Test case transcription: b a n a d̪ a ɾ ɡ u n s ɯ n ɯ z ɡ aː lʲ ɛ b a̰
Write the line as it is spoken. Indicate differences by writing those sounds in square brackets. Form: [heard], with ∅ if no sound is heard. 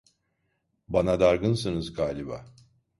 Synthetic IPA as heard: b a n a d̪ a ɾ ɡ [ɯ] n s ɯ n ɯ z ɡ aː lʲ [i] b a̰